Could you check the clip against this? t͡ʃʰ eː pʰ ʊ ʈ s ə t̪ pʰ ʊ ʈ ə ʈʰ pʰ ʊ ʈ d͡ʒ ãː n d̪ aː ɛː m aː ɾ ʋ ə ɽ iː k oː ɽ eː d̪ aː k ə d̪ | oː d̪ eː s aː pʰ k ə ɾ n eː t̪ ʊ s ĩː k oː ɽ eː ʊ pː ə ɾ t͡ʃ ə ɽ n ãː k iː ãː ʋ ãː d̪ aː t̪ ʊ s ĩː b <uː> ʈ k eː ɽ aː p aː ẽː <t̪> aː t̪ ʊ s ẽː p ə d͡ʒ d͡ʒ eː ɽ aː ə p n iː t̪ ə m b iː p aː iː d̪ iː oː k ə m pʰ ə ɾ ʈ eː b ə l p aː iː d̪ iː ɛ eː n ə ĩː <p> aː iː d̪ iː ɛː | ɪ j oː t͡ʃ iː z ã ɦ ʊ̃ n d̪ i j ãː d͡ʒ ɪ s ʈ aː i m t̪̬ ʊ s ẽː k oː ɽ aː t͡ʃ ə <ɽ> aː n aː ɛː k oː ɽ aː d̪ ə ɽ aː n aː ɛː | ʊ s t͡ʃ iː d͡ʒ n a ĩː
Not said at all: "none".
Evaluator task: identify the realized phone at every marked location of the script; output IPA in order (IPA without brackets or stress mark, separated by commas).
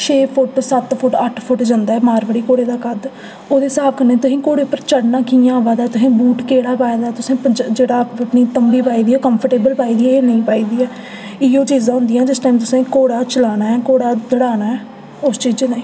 uː, d̪, p, l